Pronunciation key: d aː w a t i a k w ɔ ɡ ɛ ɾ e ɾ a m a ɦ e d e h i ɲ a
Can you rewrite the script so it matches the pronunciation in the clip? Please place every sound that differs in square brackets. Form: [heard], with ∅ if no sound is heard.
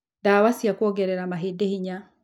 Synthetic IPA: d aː w a [s] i a k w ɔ ɡ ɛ ɾ [ɛ] ɾ a m a ɦ e d e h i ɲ a